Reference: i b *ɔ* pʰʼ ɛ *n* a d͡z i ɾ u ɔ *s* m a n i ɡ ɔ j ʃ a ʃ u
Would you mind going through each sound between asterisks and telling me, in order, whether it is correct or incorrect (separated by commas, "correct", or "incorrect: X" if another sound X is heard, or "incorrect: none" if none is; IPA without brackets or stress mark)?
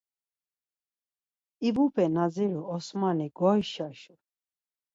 incorrect: u, correct, correct